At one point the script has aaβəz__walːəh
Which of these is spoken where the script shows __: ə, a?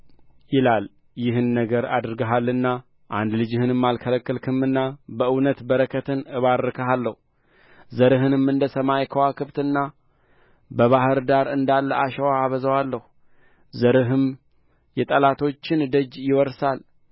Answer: ə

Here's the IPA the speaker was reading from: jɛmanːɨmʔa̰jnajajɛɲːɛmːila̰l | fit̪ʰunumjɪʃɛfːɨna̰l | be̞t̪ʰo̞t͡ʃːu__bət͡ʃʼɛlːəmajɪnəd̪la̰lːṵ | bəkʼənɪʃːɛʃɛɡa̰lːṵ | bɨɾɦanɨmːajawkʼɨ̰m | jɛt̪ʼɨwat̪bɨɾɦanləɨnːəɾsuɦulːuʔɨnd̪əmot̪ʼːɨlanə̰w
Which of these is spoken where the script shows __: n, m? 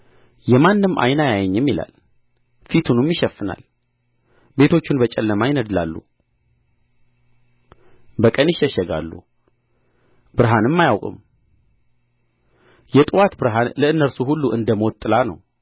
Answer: n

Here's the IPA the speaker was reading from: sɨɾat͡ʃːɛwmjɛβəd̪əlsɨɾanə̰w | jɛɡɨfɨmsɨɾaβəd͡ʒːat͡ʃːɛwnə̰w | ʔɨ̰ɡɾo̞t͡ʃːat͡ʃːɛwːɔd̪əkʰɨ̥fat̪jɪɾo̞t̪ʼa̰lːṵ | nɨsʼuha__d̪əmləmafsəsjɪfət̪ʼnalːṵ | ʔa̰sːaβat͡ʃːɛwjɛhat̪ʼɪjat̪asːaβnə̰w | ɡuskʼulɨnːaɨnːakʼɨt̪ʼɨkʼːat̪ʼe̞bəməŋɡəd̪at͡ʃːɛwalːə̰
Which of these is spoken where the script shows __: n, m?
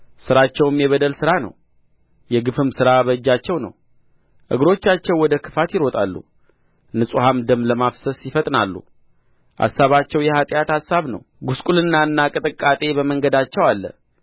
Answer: m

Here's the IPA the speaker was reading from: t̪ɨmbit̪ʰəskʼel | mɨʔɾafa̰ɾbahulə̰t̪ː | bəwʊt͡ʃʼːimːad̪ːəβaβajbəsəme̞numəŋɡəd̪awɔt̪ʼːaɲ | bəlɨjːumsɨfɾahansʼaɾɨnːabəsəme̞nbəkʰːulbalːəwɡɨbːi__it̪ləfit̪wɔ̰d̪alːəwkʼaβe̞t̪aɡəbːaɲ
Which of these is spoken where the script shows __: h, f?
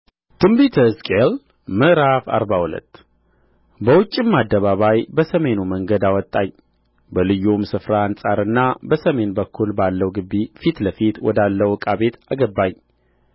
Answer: f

